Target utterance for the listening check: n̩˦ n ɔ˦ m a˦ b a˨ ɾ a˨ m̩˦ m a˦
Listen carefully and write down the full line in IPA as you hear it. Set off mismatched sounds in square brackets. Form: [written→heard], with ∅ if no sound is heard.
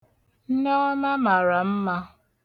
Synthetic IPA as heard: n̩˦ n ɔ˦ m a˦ [b→m] a˨ ɾ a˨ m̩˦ m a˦